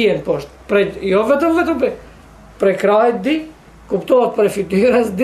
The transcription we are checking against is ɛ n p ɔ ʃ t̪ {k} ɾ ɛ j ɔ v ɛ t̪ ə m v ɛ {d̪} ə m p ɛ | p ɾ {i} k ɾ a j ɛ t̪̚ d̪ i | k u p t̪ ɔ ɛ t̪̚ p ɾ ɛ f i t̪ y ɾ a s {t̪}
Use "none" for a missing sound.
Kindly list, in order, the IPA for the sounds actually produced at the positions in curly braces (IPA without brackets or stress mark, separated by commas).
p, t̪, ɛ, d̪